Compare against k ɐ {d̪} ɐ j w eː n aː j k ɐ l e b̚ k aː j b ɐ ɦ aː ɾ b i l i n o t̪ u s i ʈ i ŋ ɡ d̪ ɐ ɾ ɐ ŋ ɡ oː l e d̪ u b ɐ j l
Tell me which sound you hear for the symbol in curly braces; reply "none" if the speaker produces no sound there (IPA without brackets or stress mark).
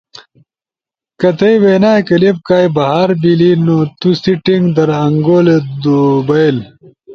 t̪